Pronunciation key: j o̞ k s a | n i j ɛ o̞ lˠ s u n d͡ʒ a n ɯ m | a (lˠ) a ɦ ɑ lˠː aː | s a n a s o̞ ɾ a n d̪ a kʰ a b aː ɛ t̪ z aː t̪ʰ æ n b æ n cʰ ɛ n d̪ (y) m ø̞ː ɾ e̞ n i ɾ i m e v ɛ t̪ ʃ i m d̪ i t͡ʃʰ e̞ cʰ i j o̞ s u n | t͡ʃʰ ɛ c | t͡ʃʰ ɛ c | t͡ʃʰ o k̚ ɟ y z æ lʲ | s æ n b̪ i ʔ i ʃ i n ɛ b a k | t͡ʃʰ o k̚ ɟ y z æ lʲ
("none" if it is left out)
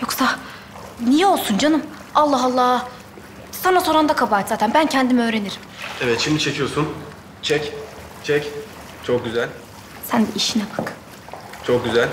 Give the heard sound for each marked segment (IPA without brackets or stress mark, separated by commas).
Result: lˠː, i